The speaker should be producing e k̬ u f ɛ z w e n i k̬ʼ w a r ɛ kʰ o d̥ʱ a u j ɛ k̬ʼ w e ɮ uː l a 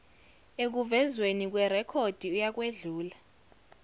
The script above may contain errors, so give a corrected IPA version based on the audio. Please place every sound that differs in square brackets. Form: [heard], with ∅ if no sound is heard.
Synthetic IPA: e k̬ u [v] ɛ z w e n i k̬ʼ w [ɛ] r ɛ kʰ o d̥ʱ [i] u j [a] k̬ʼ w e ɮ uː l a